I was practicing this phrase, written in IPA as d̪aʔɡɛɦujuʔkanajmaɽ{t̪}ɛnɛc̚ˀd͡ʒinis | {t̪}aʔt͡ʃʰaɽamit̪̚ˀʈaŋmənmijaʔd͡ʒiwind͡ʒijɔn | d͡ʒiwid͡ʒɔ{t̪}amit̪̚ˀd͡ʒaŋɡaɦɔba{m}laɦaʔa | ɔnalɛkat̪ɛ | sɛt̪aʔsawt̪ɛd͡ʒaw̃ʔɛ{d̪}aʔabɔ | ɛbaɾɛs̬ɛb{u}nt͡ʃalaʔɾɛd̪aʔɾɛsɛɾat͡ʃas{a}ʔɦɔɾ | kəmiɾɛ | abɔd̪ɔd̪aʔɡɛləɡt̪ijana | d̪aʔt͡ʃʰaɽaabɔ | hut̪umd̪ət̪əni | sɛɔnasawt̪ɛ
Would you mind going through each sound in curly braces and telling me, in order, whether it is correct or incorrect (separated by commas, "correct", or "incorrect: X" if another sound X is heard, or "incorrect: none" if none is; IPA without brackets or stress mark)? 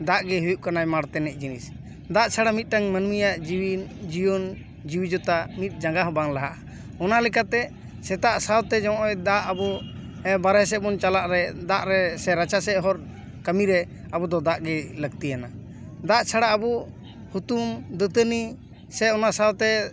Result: correct, incorrect: d̪, correct, incorrect: ŋ, correct, incorrect: ɔ, incorrect: ɛ